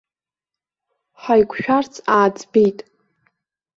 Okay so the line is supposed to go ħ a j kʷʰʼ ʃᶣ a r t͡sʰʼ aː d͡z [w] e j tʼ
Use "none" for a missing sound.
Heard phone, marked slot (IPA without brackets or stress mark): b